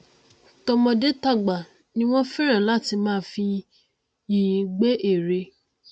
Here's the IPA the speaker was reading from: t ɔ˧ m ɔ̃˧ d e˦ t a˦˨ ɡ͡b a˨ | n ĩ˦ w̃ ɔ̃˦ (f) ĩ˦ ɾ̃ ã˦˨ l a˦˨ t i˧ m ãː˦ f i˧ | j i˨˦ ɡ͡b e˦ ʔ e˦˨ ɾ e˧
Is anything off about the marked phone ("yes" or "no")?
no